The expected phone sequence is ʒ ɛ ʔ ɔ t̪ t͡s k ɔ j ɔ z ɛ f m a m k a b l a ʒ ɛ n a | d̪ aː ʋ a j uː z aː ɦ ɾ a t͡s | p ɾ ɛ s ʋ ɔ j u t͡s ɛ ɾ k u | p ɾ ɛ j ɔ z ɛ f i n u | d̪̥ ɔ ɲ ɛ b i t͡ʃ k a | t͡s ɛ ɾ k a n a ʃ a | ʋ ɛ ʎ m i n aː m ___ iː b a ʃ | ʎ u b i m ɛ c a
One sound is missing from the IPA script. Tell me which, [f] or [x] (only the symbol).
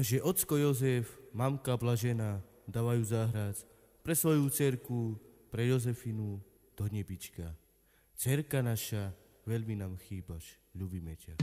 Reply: x